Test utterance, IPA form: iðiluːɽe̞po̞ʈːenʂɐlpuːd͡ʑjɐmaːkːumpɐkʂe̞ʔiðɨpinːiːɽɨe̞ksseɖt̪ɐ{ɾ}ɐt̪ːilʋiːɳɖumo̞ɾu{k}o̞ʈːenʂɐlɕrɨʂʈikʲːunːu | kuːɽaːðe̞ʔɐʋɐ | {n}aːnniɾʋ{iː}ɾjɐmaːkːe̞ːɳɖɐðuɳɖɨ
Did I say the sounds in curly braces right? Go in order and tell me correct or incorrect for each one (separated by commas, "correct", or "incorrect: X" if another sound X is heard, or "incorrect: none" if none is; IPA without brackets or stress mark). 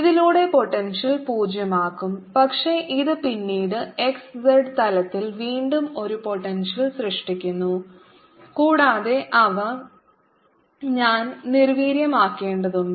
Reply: incorrect: l, incorrect: p, incorrect: ɲ, correct